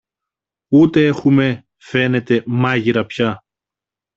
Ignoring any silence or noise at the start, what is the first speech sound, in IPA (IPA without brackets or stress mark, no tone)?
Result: u